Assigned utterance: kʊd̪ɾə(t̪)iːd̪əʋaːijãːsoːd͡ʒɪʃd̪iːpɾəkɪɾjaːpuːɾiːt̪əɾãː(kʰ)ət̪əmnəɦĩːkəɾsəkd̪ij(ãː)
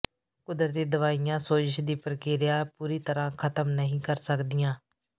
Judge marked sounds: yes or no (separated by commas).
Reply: yes, yes, yes